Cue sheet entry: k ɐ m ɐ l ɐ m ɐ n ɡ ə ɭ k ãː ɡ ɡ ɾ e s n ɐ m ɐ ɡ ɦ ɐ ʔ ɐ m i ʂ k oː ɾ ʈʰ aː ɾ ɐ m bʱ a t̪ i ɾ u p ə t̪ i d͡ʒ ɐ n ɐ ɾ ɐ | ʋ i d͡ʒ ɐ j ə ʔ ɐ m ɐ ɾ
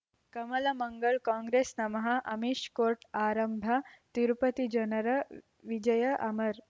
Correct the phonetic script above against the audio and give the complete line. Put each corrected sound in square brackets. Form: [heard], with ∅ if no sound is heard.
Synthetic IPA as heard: k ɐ m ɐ l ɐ m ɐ [ŋ] ɡ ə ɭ k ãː [ŋ] ɡ ɾ e s n ɐ m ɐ [∅] ɦ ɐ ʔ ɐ m i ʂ k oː ɾ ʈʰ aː ɾ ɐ m bʱ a t̪ i ɾ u p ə t̪ i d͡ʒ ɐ n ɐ ɾ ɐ | ʋ i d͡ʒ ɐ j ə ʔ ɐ m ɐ ɾ

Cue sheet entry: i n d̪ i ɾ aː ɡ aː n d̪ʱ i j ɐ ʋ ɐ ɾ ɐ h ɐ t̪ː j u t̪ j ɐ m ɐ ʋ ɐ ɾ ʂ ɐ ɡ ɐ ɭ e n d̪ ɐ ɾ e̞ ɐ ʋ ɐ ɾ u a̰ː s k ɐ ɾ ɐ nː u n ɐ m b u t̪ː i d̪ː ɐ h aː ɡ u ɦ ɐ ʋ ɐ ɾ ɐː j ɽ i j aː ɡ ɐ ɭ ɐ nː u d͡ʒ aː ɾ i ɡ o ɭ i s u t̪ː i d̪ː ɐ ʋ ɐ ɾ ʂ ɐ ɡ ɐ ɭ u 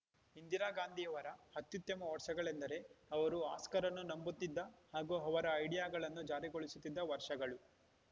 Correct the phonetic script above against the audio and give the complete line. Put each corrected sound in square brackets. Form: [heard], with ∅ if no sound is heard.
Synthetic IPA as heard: i n d̪ i ɾ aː ɡ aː n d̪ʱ i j ɐ ʋ ɐ ɾ ɐ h ɐ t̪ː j u t̪ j ɐ m ɐ ʋ ɐ ɾ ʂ ɐ ɡ ɐ ɭ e n d̪ ɐ ɾ e̞ ɐ ʋ ɐ ɾ u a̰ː s k ɐ ɾ ɐ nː u n ɐ m b u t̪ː i d̪ː ɐ h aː ɡ u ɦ ɐ ʋ ɐ ɾ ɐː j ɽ i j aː ɡ ɐ ɭ ɐ nː u d͡ʒ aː ɾ i ɡ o ɭ i s u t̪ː i d̪ː ɐ ʋ ɐ ɾ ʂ ɐ ɡ ɐ ɭ u

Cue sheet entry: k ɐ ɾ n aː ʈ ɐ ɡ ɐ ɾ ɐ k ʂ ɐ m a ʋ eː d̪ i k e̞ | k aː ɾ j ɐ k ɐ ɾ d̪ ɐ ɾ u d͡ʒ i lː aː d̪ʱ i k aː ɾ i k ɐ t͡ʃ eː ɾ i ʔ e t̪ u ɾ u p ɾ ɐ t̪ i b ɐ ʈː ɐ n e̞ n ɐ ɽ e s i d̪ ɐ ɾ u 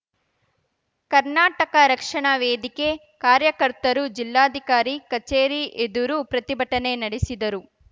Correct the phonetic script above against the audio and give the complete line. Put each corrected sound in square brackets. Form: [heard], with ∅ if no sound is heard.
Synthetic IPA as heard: k ɐ ɾ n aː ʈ ɐ [k] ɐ ɾ ɐ k ʂ ɐ [ɳ] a ʋ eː d̪ i k e̞ | k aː ɾ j ɐ k ɐ ɾ [t̪] ɐ ɾ u d͡ʒ i lː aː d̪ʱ i k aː ɾ i k ɐ t͡ʃ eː ɾ i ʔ e [d̪] u ɾ u p ɾ ɐ t̪ i b ɐ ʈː ɐ n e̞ n ɐ ɽ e s i d̪ ɐ ɾ u

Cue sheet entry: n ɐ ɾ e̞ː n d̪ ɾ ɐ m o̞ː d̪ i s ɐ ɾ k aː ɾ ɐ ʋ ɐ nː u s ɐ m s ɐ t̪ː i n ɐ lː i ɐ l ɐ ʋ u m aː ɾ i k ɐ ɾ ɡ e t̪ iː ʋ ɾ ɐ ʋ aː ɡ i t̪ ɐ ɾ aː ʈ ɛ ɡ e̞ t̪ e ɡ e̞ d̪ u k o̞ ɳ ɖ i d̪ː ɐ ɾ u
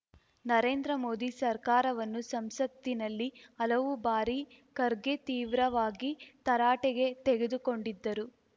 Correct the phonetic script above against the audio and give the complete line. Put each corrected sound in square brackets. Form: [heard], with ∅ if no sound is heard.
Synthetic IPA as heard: n ɐ ɾ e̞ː n d̪ ɾ ɐ m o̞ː d̪ i s ɐ ɾ k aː ɾ ɐ ʋ ɐ nː u s ɐ m s ɐ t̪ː i n ɐ lː i ɐ l ɐ ʋ u [b] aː ɾ i k ɐ ɾ ɡ e t̪ iː ʋ ɾ ɐ ʋ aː ɡ i t̪ ɐ ɾ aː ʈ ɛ ɡ e̞ t̪ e ɡ e̞ d̪ u k o̞ ɳ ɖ i d̪ː ɐ ɾ u

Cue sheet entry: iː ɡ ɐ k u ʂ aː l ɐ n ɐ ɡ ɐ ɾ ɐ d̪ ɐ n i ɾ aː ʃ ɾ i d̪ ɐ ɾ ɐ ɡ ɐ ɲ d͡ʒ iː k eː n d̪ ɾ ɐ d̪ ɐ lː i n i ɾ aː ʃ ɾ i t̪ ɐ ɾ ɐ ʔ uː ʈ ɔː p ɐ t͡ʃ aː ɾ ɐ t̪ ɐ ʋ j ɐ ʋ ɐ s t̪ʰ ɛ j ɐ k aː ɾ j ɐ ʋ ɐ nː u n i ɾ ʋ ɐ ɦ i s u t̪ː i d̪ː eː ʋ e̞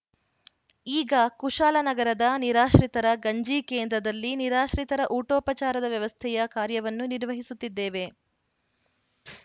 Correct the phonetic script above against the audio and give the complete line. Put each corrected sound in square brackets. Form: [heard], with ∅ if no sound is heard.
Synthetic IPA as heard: iː ɡ ɐ k u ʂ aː l ɐ n ɐ ɡ ɐ ɾ ɐ d̪ ɐ n i ɾ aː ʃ ɾ i [t̪] ɐ ɾ ɐ ɡ ɐ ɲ d͡ʒ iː k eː n d̪ ɾ ɐ d̪ ɐ lː i n i ɾ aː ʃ ɾ i t̪ ɐ ɾ ɐ ʔ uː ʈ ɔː p ɐ t͡ʃ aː ɾ ɐ [d̪] ɐ ʋ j ɐ ʋ ɐ s t̪ʰ ɛ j ɐ k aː ɾ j ɐ ʋ ɐ nː u n i ɾ ʋ ɐ ɦ i s u t̪ː i d̪ː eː ʋ e̞

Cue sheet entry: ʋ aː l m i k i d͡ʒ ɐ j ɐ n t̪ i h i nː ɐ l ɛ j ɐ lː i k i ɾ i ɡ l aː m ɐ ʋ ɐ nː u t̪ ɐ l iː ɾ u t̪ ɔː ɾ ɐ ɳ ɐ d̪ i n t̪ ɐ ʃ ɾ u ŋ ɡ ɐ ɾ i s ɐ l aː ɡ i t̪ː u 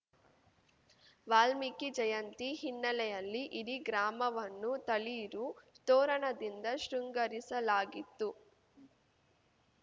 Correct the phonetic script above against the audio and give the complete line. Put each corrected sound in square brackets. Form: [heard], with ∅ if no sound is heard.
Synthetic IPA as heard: ʋ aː l m i k i d͡ʒ ɐ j ɐ n t̪ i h i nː ɐ l ɛ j ɐ lː i [ʔ] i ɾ i ɡ [ɾ] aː m ɐ ʋ ɐ nː u t̪ ɐ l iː ɾ u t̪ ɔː ɾ ɐ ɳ ɐ d̪ i n [d̪] ɐ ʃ ɾ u ŋ ɡ ɐ ɾ i s ɐ l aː ɡ i t̪ː u

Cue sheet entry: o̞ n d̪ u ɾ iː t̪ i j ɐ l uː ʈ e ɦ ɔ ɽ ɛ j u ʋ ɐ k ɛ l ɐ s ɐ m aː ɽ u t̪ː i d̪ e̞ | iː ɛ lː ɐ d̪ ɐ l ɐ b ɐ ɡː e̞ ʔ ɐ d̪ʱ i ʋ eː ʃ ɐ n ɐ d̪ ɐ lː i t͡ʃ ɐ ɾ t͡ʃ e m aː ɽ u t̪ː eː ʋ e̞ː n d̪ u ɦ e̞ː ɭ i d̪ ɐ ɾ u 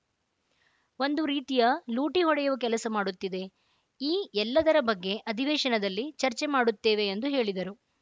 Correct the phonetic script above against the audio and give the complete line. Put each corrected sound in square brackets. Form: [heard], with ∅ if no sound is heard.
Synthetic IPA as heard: o̞ n d̪ u ɾ iː t̪ i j ɐ l uː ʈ [i] ɦ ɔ ɽ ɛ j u ʋ ɐ k ɛ l ɐ s ɐ m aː ɽ u t̪ː i d̪ e̞ | iː ɛ lː ɐ d̪ ɐ [ɾ] ɐ b ɐ ɡː e̞ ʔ ɐ d̪ʱ i ʋ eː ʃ ɐ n ɐ d̪ ɐ lː i t͡ʃ ɐ ɾ t͡ʃ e m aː ɽ u t̪ː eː ʋ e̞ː n d̪ u ɦ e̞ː ɭ i d̪ ɐ ɾ u

